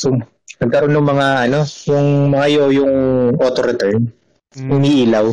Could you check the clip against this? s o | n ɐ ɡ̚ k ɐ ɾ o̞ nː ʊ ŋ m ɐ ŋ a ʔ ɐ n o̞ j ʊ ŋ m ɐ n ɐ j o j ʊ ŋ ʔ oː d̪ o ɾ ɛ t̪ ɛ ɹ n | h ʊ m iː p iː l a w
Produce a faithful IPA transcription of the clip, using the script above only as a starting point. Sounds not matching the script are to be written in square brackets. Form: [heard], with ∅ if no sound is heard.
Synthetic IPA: s o | n ɐ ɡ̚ k ɐ ɾ o̞ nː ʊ ŋ m ɐ ŋ a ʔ ɐ n o̞ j ʊ ŋ m ɐ [ŋ] ɐ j o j ʊ ŋ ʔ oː [t̪] o ɾ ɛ t̪ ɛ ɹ n | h ʊ m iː [ʔ] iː l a w